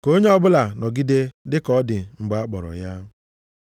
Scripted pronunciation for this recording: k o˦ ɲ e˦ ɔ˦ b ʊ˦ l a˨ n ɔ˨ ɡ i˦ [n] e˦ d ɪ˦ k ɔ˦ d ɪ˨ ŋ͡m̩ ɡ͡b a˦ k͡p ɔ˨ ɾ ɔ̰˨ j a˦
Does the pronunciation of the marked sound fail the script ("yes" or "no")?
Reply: yes